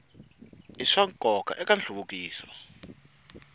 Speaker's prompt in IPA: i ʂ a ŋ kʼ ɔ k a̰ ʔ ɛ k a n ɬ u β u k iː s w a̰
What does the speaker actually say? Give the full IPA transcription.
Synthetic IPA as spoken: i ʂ a ŋ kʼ ɔ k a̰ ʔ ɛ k a n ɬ u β u k iː s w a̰